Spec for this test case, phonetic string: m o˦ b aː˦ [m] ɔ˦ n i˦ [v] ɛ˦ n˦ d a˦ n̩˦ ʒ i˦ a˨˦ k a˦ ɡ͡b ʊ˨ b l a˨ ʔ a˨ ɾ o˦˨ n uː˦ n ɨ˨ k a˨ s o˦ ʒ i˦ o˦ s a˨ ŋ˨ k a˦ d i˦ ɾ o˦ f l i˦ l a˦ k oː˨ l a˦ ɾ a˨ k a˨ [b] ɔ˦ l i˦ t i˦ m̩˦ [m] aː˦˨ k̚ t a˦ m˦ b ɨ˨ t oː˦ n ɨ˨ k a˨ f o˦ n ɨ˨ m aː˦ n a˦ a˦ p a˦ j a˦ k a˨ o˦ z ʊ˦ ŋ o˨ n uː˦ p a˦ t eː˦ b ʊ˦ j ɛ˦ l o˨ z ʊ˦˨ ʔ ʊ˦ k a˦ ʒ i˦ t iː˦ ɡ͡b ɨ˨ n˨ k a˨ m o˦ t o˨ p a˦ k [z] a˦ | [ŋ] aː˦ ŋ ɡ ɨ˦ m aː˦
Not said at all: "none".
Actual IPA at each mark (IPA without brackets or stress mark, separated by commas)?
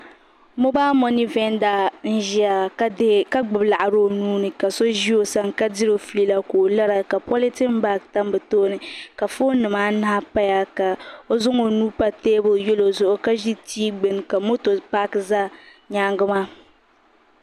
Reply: m, v, p, b, z, ɲ